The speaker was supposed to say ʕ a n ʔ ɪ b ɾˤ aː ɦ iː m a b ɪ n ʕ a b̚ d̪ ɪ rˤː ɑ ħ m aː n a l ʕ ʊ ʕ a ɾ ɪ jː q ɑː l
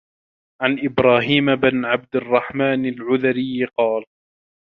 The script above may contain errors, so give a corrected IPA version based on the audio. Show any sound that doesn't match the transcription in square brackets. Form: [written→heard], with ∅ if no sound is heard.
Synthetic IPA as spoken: ʕ a n ʔ ɪ b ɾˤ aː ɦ iː m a b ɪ n ʕ a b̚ d̪ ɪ rˤː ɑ ħ m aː n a l ʕ ʊ [ʕ→ð] a ɾ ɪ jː q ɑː l

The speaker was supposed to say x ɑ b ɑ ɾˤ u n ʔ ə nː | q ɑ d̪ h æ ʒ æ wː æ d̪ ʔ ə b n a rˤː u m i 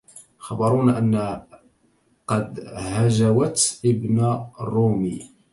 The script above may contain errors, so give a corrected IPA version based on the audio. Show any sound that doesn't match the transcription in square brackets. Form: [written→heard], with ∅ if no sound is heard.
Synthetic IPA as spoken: x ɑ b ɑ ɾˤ u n ʔ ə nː | q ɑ d̪ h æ ʒ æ [wː→w] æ [d̪→t̪] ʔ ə b n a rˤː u m i

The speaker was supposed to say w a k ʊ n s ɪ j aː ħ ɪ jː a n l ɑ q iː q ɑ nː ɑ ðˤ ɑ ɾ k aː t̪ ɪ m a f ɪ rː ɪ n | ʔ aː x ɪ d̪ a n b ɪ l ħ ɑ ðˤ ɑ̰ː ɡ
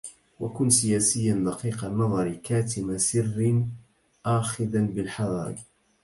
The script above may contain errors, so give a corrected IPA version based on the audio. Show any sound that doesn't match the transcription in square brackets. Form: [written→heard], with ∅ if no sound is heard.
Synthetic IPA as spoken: w a k ʊ n s ɪ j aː [ħ→s] ɪ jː a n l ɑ q iː q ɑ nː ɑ ðˤ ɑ ɾ k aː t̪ ɪ m a [f→s] ɪ rː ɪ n | ʔ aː x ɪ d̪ a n b ɪ l ħ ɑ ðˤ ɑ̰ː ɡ

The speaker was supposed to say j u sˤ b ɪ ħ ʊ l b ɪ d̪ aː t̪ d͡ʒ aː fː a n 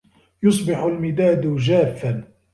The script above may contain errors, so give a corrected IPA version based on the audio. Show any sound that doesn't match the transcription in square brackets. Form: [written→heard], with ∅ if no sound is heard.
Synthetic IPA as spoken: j [u→ʊ] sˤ b ɪ ħ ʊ l [b→m] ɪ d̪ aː [t̪→d̪] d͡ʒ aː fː a n

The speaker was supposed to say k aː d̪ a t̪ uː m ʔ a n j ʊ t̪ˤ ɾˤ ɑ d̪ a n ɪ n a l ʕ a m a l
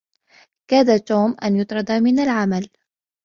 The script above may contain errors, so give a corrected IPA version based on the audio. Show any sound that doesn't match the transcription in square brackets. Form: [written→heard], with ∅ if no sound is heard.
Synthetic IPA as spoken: k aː d̪ a t̪ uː m ʔ a n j ʊ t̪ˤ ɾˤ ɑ d̪ a [n→m] ɪ n a l ʕ a m a l

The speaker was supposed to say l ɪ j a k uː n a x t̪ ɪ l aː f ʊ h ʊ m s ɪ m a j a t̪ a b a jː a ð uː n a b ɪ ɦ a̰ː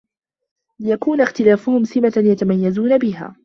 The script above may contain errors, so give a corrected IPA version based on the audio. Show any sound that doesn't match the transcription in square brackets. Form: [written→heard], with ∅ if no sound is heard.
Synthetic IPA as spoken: l ɪ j a k uː n a x t̪ ɪ l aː f ʊ h ʊ m s ɪ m a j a t̪ a [b→m] a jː a [ð→z] uː n a b ɪ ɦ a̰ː

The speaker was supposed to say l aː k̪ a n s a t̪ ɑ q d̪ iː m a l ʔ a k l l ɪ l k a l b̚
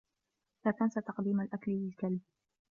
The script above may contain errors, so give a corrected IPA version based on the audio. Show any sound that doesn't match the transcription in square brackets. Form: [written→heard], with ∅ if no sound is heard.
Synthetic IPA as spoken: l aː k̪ a n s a t̪ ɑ q d̪ iː m a l ʔ a k l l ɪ l k a l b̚

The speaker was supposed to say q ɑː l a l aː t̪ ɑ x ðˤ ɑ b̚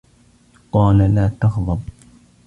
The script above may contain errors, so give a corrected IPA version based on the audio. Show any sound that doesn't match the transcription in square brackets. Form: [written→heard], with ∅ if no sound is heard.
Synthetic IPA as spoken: q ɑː l a l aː t̪ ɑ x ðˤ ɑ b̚

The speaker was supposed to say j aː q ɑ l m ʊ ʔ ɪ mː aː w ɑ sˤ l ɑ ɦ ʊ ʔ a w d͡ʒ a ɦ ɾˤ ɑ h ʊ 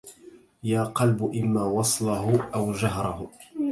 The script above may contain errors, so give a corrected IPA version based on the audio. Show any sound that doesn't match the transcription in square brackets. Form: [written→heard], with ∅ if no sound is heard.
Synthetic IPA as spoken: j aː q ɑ l [m→b] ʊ ʔ ɪ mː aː w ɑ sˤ l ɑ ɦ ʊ ʔ a w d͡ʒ a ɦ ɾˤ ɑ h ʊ

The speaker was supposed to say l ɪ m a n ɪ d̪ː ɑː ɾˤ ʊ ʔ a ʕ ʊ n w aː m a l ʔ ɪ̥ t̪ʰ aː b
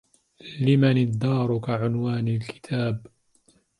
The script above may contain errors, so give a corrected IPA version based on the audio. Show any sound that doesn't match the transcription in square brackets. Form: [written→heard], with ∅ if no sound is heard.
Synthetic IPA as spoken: l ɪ m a n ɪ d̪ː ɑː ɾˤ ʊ [ʔ→k] a ʕ ʊ n w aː [m→n] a l [ʔ→k] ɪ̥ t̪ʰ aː b

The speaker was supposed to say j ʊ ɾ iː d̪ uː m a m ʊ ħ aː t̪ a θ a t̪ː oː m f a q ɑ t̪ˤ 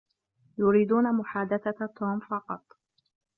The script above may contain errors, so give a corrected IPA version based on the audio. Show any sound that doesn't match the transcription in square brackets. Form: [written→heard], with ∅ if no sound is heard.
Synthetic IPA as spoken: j ʊ ɾ iː d̪ uː [m→n] a m ʊ ħ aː [t̪→d̪] a θ a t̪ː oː m f [a→ɑ] q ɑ t̪ˤ

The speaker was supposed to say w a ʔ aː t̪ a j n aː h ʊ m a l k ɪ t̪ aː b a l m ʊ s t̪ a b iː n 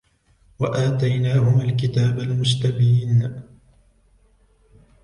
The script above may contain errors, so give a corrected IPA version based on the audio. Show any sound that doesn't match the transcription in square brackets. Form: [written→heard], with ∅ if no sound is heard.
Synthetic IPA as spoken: w a ʔ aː t̪ a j n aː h ʊ m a l k ɪ t̪ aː b a l m ʊ s t̪ a b iː n

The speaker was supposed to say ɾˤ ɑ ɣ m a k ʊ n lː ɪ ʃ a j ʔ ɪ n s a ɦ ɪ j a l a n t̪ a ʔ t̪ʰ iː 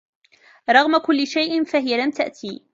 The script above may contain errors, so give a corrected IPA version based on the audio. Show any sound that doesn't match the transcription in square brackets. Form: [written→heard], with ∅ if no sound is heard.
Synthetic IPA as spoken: ɾˤ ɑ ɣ m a k ʊ [n→∅] lː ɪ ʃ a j ʔ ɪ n [s→f] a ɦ ɪ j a l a [n→m] t̪ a ʔ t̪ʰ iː

